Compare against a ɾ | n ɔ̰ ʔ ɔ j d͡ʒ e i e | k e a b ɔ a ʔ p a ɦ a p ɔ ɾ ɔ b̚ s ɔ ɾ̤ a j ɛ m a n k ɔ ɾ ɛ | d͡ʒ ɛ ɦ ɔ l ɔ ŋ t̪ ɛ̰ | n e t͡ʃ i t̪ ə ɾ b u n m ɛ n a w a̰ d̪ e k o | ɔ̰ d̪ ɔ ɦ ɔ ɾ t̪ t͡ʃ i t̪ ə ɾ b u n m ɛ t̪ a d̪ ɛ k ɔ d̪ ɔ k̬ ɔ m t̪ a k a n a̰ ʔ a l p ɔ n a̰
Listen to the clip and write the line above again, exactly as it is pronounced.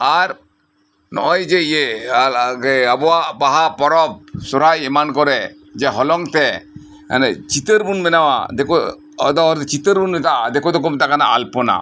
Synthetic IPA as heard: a ɾ | n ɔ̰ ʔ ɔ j d͡ʒ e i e | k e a b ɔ a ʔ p a ɦ a p ɔ ɾ ɔ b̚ s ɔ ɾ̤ a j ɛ m a n k ɔ ɾ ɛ | d͡ʒ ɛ ɦ ɔ l ɔ ŋ t̪ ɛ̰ | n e t͡ʃ i t̪ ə ɾ b u n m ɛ n a w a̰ d̪ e k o | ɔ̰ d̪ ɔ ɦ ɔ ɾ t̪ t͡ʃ i t̪ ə ɾ b u n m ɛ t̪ a d̪ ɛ k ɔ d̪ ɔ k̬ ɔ m t̪ a k a n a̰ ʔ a l p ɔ n a̰

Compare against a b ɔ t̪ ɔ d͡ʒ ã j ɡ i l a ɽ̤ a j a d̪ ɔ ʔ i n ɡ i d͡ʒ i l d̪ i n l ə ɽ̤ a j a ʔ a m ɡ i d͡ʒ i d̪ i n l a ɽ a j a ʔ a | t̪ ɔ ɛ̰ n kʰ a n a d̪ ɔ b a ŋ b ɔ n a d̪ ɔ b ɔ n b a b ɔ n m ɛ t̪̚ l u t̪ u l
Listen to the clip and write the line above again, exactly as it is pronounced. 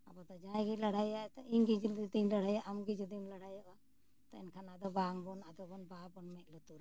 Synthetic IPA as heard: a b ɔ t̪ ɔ d͡ʒ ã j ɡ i l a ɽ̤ a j a t̪ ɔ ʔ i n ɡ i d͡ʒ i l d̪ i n l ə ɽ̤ a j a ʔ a m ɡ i d͡ʒ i d̪ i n l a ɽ a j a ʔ a | t̪ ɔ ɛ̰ n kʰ a n a d̪ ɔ b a ŋ b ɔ n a d̪ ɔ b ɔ n b a b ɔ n m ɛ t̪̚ l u t̪ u ɾ

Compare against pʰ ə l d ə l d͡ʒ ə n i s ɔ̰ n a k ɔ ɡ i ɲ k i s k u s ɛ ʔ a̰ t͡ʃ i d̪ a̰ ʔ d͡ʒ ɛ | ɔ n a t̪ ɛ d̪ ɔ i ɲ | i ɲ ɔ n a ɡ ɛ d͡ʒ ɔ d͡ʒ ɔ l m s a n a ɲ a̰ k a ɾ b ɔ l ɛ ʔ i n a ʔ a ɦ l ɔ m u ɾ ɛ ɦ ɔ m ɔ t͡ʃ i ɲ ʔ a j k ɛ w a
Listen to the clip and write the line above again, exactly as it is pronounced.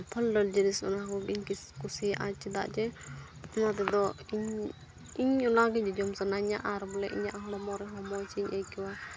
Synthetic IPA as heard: pʰ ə l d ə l d͡ʒ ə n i s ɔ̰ n a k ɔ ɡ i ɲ k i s k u s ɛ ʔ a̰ t͡ʃ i d̪ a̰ ʔ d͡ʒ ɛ | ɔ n a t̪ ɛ d̪ ɔ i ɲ | i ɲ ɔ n a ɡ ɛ d͡ʒ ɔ d͡ʒ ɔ m s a n a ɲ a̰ ʔ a ɾ b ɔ l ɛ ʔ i ɲ a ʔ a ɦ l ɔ m ɔ ɾ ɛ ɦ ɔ m ɔ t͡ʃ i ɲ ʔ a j k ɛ w a

